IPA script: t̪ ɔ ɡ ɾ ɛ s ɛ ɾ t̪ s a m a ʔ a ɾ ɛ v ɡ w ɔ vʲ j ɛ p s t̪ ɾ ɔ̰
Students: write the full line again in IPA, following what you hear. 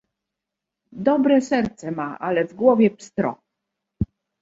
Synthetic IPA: d̪ ɔ b ɾ ɛ s ɛ ɾ t̪ s ɛ m a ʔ a l ɛ v ɡ w ɔ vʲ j ɛ p s t̪ ɾ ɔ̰